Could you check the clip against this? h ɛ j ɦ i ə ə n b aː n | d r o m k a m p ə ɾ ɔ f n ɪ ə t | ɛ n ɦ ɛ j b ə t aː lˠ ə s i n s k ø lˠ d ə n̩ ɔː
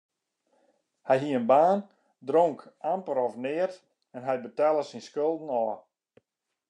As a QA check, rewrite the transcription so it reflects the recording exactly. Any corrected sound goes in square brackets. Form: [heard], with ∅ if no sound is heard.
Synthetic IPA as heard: h ɛ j ɦ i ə ə n b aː n | d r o [ŋ] k a m p ə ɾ ɔ f n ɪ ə t | ɛ n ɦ ɛ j b ə t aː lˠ ə s i n s k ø lˠ d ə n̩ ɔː